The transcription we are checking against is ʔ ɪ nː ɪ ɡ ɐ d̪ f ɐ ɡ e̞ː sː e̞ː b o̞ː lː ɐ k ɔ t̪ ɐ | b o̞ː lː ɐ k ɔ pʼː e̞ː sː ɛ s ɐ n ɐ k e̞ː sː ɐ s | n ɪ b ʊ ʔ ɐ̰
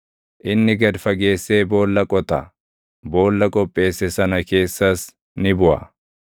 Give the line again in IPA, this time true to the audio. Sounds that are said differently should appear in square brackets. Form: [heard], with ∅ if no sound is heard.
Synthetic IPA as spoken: ʔ ɪ nː ɪ ɡ ɐ d̪ f ɐ ɡ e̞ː sː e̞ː b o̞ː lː ɐ [kʼ] ɔ t̪ ɐ | b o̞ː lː ɐ [kʼ] ɔ pʼː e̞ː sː ɛ s ɐ n ɐ k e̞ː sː ɐ s | n ɪ b ʊ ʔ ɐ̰